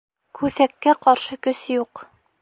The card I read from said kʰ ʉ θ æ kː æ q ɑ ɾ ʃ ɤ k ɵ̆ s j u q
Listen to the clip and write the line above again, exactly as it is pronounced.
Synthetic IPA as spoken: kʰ ʉ θ æ kː æ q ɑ ɾ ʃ ɤ k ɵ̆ s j u q